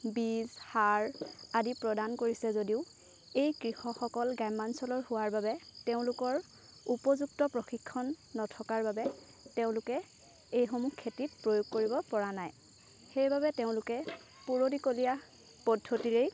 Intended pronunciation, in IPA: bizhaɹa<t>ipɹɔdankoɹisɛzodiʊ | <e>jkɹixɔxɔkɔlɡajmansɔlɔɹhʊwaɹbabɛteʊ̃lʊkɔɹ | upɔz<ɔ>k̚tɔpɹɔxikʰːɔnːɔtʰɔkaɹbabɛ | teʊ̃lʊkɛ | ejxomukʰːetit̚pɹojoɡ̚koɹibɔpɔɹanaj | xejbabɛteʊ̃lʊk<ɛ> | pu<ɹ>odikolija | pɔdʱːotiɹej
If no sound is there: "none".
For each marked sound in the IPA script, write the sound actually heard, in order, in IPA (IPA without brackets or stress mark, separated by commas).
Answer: d, e, u, ɛ, ɹ